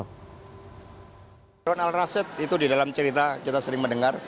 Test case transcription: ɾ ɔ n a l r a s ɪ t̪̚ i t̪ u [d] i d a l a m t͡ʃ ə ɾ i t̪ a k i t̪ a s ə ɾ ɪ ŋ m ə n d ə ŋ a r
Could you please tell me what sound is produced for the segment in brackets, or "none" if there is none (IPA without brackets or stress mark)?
d